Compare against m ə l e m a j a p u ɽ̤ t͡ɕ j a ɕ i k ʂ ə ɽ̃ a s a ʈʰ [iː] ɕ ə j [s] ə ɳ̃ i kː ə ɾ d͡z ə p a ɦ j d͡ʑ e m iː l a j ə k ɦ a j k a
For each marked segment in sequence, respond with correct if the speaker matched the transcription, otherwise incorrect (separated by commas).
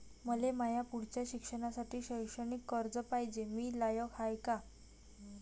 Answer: correct, incorrect